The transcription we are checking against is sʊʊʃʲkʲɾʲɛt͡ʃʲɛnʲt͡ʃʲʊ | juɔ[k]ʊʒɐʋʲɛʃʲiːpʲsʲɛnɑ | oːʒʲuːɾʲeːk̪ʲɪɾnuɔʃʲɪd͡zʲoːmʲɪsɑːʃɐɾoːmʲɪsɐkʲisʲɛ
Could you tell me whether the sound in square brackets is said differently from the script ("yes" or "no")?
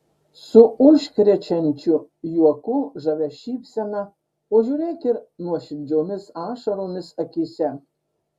no